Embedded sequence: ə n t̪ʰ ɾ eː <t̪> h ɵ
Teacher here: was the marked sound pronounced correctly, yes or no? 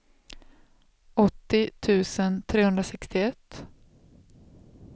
no